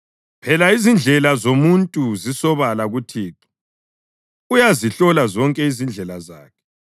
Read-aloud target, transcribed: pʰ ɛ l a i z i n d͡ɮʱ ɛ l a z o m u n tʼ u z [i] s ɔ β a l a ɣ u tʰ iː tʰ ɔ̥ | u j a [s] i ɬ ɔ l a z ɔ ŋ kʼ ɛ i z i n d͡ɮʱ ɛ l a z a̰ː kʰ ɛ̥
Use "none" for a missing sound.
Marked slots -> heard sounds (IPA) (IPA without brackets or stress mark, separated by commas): i, z